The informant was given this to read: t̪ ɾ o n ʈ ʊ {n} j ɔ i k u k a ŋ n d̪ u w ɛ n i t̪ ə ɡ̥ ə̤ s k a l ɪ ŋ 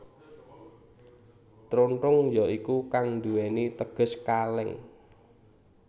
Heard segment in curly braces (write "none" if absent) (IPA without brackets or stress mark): ŋ